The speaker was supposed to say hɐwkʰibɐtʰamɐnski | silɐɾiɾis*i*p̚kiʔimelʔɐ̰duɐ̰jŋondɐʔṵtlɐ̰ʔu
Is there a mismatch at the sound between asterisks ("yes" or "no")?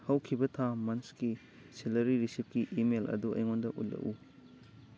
no